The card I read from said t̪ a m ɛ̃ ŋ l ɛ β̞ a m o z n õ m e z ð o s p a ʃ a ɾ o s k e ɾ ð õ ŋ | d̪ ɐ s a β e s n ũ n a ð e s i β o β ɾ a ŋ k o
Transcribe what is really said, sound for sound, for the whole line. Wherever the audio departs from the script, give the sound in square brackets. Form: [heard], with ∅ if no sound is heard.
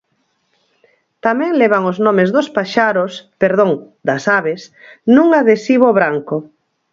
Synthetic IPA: t̪ a m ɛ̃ ŋ l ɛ β̞ a [ŋ] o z n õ m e z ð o s p a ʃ a ɾ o s [p] e ɾ ð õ ŋ | d̪ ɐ s a β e s n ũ [ŋ] a ð e s i β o β ɾ a ŋ k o